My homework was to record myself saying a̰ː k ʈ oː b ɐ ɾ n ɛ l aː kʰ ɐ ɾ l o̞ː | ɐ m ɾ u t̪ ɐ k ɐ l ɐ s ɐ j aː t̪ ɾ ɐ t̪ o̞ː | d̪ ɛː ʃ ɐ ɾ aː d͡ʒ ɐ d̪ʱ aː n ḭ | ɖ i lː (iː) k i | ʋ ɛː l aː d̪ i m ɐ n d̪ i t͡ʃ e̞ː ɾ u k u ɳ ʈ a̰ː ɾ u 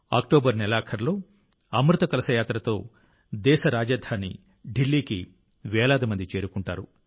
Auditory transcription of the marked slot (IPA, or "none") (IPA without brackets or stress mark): iː